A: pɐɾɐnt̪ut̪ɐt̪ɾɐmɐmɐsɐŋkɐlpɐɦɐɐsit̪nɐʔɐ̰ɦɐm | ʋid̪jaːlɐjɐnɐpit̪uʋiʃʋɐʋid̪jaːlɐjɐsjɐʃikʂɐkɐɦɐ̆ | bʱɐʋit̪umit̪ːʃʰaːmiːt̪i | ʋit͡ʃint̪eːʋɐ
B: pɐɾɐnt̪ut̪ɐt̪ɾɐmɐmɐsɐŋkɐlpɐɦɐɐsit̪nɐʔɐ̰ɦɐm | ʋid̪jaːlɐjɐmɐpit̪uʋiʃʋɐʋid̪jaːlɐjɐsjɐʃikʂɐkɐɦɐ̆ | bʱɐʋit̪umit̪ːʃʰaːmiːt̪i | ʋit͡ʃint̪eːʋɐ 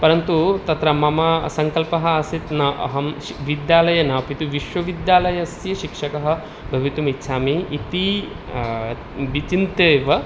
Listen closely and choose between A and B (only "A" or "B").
A